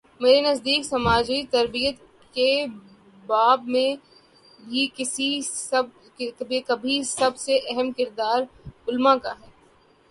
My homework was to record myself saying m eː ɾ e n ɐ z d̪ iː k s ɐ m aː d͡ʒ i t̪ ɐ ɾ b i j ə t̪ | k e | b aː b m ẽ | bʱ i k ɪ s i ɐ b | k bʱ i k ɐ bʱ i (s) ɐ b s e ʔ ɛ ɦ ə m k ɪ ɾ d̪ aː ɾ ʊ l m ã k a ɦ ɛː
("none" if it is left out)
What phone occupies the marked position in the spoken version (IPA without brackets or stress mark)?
s